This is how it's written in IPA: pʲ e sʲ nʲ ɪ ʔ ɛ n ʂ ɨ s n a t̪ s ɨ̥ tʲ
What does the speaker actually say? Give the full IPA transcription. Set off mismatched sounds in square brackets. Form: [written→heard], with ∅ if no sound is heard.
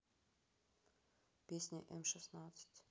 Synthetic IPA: pʲ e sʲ nʲ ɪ ʔ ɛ [n→m] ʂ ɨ s n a t̪ s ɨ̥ tʲ